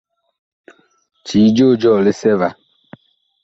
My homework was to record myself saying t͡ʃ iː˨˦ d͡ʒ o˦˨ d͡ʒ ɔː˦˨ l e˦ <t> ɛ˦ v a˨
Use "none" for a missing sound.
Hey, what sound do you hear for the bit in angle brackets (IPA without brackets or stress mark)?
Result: s